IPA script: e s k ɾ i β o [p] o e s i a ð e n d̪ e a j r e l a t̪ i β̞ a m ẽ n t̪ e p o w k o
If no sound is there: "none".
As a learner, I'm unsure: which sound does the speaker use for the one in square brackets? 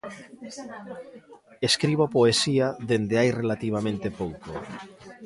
p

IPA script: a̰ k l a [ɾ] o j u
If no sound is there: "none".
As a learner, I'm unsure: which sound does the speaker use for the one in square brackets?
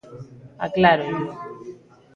ɾ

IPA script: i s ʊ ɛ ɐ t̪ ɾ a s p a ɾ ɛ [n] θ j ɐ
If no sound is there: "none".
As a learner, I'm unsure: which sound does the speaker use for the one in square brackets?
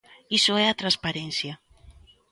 n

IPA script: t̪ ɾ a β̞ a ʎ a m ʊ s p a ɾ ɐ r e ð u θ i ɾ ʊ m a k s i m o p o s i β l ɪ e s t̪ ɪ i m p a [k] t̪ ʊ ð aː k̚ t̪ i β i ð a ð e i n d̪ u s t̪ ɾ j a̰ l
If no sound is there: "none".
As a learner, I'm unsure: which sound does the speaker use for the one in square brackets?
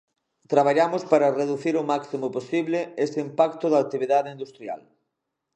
k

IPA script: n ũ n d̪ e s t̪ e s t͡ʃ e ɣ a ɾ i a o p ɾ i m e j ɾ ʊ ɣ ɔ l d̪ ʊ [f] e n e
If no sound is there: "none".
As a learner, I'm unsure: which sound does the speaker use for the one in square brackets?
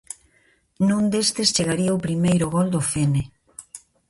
f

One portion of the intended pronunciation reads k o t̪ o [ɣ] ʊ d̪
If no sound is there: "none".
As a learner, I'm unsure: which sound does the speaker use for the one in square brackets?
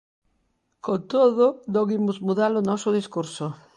ð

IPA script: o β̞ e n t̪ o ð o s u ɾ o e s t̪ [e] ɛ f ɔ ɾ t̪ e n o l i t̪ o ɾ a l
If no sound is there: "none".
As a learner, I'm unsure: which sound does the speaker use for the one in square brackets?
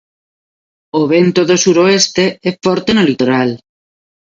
e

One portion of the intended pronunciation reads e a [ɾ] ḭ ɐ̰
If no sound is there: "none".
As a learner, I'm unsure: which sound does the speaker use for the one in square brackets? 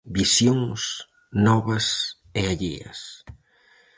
ʎ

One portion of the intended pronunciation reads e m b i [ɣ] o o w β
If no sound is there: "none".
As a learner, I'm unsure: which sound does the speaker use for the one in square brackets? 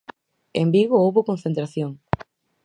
ɣ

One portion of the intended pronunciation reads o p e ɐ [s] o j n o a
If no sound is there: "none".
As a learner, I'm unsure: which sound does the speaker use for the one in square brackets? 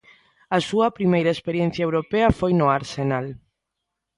f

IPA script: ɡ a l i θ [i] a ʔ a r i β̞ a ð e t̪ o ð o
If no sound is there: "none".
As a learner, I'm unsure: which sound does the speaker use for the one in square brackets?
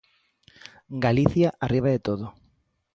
j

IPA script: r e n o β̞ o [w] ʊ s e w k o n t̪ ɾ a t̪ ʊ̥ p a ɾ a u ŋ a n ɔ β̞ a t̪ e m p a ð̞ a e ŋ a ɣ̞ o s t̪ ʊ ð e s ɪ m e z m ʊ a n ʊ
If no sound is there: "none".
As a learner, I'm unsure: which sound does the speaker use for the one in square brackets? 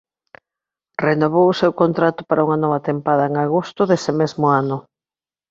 w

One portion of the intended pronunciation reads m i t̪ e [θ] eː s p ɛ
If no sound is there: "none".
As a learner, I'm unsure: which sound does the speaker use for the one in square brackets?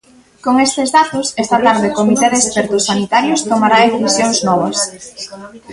ð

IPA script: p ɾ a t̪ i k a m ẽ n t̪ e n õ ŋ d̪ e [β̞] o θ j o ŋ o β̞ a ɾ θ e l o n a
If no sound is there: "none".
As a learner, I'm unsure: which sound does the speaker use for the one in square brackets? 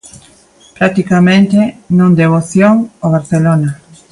β̞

